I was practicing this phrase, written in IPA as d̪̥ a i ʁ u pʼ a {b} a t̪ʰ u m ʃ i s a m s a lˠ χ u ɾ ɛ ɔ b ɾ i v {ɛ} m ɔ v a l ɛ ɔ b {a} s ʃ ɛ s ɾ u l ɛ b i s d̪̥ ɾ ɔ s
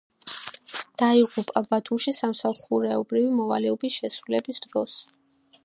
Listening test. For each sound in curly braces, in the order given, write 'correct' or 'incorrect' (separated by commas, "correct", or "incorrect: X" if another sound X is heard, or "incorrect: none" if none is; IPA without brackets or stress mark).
correct, incorrect: i, incorrect: i